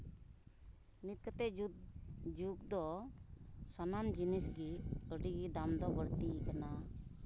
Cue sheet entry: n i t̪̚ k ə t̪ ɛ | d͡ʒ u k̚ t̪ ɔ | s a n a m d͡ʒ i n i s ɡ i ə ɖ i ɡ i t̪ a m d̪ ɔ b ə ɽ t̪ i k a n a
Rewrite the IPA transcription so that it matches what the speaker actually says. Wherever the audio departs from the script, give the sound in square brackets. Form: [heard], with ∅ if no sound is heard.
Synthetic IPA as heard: n i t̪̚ k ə t̪ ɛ | d͡ʒ u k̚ [d̪] ɔ | s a n a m d͡ʒ i n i s ɡ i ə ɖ i ɡ i [d̪] a m d̪ ɔ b ə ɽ t̪ i k a n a